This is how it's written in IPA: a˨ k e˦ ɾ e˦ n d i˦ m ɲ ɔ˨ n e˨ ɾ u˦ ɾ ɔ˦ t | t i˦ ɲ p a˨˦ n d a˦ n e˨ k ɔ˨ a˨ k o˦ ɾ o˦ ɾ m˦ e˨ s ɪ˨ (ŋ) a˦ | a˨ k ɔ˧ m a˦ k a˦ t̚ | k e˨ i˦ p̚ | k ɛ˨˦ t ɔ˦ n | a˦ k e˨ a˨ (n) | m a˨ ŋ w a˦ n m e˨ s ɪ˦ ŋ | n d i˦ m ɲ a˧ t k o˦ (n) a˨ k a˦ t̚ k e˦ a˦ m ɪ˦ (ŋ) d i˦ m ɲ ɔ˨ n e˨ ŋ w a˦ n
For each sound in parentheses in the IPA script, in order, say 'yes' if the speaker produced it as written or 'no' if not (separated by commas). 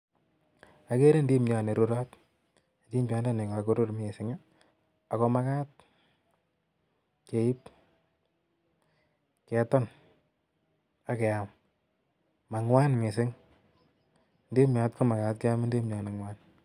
yes, no, no, no